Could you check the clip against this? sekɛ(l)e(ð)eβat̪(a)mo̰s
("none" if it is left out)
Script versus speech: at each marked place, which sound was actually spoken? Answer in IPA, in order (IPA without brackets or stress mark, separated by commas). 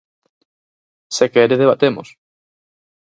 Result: ɾ, ð, e